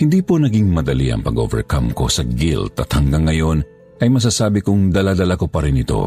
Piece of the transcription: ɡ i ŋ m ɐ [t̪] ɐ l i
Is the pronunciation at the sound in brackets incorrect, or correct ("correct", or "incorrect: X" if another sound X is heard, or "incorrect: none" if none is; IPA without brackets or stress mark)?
incorrect: d̪